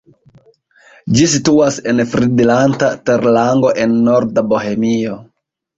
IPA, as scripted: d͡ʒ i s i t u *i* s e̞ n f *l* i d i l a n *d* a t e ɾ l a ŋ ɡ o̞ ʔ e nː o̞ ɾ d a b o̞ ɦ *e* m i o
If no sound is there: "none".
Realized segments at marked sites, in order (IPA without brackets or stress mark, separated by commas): a, ɾ, t, e